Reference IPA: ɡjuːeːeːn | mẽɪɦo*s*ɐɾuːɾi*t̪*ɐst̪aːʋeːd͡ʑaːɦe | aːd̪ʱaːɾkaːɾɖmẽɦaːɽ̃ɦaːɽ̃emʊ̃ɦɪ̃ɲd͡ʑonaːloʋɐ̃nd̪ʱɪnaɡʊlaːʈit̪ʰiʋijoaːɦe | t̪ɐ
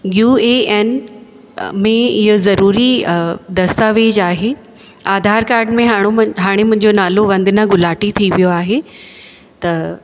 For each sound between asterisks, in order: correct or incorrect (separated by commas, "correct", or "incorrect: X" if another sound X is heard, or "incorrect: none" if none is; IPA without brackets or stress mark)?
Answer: incorrect: z, incorrect: d̪